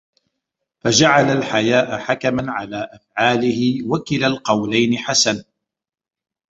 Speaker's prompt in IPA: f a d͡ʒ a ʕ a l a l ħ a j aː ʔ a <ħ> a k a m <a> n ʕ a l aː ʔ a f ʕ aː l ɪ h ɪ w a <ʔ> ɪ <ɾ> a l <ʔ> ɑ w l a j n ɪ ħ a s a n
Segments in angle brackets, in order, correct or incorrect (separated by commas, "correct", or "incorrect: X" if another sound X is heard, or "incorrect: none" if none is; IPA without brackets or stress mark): correct, correct, incorrect: k, incorrect: l, incorrect: q